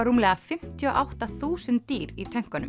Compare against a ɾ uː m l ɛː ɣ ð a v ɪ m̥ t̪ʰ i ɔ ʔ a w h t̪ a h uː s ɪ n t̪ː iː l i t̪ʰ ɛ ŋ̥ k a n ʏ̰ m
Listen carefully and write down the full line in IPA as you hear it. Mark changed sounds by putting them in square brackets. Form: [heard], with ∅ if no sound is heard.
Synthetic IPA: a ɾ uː m l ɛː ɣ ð a [f] ɪ m̥ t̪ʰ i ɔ ʔ a w h t̪ a [θ] uː s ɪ n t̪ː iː [ɾ] i t̪ʰ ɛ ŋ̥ k a n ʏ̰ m